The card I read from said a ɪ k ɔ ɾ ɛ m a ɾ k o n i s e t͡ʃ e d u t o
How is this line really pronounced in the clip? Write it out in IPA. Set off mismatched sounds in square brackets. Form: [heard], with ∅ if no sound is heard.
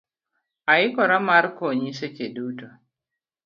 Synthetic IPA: a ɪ k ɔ ɾ [a] m a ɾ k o [ɲ] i s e t͡ʃ e d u t o